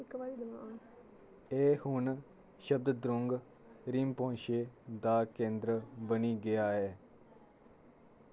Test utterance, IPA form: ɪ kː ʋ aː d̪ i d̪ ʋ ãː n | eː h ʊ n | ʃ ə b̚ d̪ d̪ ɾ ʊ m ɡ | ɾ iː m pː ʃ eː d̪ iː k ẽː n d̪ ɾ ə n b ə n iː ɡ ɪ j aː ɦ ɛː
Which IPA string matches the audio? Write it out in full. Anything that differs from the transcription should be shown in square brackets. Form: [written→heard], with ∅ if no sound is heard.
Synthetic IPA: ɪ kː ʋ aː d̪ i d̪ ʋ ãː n | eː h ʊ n | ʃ ə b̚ d̪ d̪ ɾ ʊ [m→ŋ] ɡ | ɾ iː m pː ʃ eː d̪ [iː→aː] k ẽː n d̪ ɾ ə [n→∅] b ə n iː ɡ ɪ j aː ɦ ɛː